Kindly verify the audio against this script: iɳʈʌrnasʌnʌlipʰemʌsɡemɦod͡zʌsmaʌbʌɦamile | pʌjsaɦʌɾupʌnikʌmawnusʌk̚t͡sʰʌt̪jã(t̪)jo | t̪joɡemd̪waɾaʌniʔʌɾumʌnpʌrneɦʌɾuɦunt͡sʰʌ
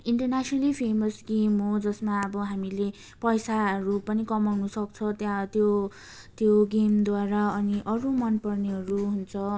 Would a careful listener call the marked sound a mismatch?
no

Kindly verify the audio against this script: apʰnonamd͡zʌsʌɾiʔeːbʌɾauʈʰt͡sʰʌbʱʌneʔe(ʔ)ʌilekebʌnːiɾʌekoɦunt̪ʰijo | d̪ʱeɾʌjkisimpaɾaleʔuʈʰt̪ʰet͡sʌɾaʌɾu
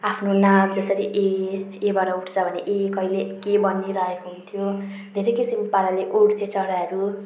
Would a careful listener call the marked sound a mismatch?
yes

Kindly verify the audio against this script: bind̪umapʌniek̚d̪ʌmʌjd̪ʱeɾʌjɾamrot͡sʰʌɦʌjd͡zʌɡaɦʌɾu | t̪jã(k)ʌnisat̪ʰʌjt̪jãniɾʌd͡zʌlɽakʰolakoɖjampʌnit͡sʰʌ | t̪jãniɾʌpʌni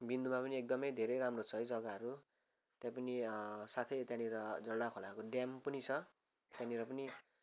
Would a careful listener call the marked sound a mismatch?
yes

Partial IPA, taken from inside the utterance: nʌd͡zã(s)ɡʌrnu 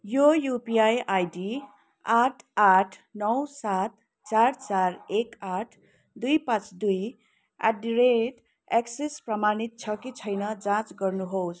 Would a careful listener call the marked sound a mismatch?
yes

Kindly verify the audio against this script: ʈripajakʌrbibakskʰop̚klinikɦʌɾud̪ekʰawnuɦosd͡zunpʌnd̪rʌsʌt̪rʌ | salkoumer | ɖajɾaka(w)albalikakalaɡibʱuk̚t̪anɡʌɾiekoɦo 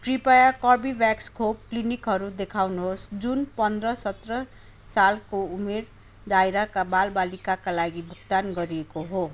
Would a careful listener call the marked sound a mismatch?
yes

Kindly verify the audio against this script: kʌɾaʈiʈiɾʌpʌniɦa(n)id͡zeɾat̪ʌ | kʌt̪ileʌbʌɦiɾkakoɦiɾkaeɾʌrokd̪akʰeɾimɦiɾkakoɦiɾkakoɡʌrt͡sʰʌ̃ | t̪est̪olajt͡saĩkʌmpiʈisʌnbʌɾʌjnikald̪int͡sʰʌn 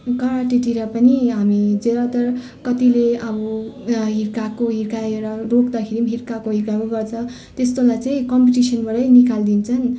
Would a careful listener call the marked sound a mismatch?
yes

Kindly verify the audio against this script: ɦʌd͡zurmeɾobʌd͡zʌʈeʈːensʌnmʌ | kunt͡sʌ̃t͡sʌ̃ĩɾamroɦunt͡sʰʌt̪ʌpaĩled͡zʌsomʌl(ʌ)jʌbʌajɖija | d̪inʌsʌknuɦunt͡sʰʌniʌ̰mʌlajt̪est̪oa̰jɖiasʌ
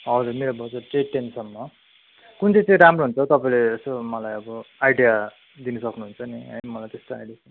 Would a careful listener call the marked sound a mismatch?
yes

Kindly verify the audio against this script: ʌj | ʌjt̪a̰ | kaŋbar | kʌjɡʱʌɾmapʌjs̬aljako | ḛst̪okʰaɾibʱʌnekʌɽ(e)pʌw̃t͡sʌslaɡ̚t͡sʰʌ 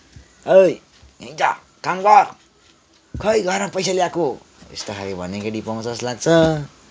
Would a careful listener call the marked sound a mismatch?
yes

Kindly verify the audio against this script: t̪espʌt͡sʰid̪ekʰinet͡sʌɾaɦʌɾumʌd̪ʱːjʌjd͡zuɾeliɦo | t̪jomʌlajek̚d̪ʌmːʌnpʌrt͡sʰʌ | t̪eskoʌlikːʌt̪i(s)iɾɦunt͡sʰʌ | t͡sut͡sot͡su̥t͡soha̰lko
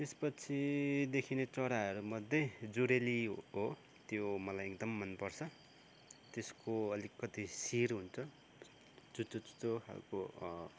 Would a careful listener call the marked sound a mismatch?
no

